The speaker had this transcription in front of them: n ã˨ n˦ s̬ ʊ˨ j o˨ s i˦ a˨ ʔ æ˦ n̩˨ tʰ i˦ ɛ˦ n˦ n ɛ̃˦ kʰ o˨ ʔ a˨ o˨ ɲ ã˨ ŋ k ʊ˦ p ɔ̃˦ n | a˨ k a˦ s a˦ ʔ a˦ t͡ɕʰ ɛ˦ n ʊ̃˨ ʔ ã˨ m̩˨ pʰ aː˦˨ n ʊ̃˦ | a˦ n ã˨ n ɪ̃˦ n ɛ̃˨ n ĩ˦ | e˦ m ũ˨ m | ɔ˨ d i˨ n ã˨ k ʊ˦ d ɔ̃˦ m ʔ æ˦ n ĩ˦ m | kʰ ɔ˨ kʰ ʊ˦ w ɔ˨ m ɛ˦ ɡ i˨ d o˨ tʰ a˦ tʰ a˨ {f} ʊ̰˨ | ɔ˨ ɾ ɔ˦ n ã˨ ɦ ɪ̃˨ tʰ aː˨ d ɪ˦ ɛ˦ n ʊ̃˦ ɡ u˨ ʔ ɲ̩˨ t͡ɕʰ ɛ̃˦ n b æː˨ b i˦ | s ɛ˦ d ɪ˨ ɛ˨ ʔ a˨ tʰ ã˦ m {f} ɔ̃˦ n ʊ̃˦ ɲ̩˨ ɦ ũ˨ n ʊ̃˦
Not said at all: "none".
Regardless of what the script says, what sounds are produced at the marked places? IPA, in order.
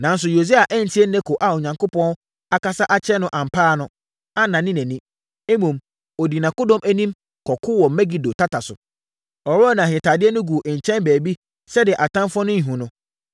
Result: s, f

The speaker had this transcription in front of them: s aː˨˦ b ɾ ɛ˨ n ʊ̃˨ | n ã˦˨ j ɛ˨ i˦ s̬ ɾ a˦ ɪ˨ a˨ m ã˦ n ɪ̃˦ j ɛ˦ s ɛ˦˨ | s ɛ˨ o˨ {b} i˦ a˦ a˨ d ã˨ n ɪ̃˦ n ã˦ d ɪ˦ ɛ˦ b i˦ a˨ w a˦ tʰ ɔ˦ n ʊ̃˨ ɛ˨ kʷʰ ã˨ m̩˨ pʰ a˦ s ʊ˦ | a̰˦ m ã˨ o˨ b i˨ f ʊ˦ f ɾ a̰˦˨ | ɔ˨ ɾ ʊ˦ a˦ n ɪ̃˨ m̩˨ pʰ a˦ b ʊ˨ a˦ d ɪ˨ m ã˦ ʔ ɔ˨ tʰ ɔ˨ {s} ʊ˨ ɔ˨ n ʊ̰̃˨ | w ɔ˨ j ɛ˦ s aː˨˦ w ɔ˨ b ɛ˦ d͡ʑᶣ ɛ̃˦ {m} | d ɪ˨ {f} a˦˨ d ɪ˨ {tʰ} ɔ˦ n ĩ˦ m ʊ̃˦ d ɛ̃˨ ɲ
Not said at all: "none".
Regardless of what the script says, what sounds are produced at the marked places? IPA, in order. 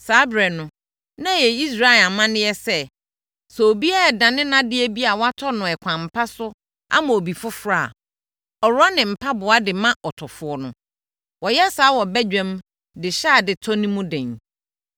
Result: b, f, m, ɕ, tʰ

